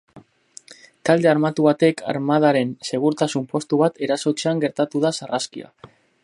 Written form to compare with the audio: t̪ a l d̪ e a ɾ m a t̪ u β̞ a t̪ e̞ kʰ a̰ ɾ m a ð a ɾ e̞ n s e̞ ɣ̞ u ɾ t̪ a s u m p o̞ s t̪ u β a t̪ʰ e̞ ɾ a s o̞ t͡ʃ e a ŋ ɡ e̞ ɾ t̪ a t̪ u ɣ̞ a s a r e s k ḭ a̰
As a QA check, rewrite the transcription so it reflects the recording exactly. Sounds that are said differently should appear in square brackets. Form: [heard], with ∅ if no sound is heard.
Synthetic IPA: t̪ a l d̪ e a ɾ m a t̪ u β̞ a t̪ e̞ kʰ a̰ ɾ m a ð a ɾ e̞ n s e̞ ɣ̞ u ɾ t̪ a s u m p o̞ s t̪ u β a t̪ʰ e̞ ɾ a s o̞ t͡ʃ e a ŋ ɡ e̞ ɾ t̪ a t̪ u [ð̞] a s a r [a] s k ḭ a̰